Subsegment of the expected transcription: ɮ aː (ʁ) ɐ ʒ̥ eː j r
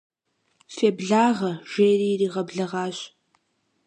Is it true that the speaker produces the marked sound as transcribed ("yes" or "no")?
yes